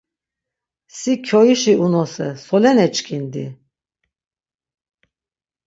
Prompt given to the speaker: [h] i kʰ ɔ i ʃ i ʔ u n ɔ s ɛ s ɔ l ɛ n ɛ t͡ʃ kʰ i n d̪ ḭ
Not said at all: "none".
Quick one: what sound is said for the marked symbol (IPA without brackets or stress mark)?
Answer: s